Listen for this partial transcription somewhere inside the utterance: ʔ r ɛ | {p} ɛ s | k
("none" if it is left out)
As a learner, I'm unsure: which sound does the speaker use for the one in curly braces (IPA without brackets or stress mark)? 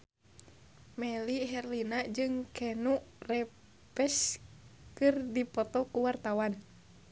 p